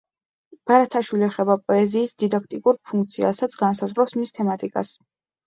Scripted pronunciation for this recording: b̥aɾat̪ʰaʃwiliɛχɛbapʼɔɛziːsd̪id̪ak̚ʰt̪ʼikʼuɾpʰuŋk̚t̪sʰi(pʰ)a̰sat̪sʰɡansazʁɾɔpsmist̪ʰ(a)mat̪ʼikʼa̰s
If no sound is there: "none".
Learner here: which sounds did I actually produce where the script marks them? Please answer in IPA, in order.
none, ɛ

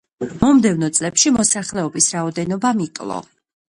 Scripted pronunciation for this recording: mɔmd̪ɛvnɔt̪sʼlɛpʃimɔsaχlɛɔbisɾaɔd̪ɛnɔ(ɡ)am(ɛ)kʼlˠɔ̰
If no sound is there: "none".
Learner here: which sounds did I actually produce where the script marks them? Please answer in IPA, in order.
b, i

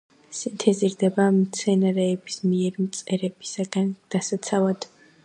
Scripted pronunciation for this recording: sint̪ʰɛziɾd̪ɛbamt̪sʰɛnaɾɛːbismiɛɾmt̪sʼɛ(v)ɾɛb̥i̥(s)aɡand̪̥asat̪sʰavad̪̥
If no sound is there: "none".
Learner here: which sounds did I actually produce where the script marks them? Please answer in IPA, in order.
none, s

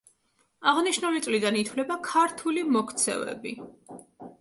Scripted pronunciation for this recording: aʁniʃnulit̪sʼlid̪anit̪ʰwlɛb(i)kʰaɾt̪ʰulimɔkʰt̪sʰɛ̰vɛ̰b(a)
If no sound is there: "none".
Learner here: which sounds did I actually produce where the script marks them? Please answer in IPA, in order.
a, i

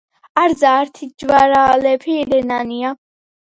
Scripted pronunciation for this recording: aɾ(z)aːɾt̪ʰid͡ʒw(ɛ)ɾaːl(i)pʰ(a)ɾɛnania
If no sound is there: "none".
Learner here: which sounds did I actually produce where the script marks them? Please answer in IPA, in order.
z, a, ɛ, i

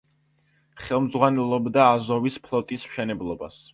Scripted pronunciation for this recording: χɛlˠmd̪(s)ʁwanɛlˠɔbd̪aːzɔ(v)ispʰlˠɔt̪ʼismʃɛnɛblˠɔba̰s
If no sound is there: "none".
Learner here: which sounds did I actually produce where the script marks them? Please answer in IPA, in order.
z, v

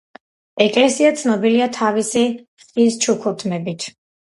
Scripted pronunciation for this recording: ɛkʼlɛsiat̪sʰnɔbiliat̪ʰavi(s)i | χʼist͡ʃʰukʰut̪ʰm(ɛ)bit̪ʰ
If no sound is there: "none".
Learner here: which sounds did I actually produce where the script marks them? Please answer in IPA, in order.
s, ɛ

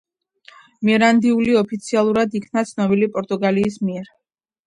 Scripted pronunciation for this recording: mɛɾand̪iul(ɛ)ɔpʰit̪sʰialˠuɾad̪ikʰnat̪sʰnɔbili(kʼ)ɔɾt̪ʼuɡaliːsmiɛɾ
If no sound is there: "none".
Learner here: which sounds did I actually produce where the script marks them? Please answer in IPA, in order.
i, pʼ

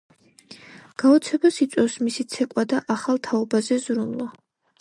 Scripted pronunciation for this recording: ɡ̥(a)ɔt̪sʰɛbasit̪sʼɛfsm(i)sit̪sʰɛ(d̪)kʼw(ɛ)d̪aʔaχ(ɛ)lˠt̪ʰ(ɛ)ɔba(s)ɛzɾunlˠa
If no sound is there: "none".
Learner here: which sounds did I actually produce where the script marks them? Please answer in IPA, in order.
a, i, none, a, a, a, z

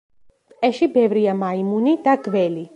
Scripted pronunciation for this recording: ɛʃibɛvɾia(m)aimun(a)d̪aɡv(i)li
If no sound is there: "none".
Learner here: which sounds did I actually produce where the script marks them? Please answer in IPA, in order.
m, i, ɛ

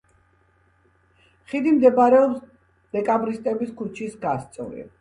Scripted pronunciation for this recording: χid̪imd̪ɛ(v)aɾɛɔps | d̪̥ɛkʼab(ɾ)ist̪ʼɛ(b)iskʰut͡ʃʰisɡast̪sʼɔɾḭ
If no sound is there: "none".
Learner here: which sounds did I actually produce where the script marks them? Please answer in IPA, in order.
b, ɾ, b

